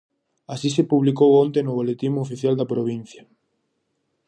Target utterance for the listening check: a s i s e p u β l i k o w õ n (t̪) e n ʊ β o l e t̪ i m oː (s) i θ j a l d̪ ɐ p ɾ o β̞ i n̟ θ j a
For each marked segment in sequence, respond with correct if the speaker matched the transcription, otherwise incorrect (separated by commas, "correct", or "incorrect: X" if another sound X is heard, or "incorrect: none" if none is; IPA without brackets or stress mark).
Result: correct, incorrect: f